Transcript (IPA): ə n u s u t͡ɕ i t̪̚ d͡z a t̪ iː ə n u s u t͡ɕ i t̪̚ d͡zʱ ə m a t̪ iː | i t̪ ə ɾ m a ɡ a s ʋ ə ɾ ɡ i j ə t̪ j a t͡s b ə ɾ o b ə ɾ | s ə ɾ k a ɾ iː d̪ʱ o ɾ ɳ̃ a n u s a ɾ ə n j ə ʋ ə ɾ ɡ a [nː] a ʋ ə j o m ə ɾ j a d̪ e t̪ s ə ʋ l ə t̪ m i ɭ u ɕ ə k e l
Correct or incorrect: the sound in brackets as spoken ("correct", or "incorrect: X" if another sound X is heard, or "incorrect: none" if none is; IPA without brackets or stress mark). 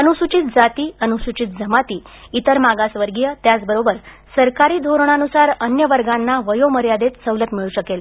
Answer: correct